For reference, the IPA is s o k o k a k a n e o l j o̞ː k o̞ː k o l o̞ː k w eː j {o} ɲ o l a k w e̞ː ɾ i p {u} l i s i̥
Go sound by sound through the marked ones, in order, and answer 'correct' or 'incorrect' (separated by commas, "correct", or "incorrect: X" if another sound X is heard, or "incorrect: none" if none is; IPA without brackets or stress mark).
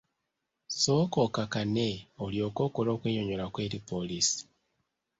correct, incorrect: o